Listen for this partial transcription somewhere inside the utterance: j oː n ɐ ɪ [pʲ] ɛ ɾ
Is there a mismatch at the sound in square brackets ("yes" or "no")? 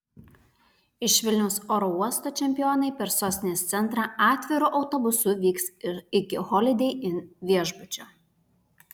no